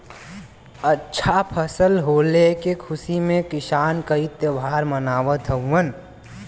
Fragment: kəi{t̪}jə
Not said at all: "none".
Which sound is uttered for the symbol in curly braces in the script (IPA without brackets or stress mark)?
t̪